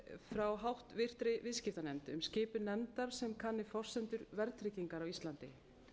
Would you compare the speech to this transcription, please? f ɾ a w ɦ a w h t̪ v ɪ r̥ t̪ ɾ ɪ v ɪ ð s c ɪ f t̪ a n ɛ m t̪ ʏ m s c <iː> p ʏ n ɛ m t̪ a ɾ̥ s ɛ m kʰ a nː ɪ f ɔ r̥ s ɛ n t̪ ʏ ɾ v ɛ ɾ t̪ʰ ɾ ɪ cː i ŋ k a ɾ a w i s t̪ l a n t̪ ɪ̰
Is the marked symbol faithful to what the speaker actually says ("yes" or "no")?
no